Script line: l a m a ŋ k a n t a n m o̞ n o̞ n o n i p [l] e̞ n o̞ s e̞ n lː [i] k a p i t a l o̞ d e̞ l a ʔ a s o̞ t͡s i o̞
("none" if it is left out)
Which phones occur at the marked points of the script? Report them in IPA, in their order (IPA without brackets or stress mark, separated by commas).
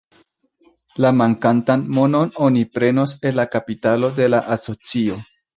ɾ, a